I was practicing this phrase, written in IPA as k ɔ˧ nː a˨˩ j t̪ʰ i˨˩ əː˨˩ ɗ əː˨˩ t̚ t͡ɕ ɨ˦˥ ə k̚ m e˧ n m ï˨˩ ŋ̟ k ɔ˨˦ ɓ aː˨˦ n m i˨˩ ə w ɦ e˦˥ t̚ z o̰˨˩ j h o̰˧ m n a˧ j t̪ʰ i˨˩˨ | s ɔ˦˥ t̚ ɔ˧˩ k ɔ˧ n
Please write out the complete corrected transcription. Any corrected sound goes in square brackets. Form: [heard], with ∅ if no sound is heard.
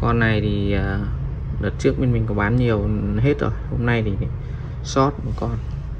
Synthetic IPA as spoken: k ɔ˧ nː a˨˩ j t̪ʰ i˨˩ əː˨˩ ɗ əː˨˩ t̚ t͡ɕ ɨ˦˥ ə k̚ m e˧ n m ï˨˩ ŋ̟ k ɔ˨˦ ɓ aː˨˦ n [ɲ] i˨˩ ə w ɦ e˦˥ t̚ z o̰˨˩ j h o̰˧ m n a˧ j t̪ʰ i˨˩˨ | s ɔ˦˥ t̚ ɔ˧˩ k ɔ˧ n